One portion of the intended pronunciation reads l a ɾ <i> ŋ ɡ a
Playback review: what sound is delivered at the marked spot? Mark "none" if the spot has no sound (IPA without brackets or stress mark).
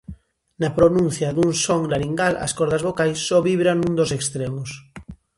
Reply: i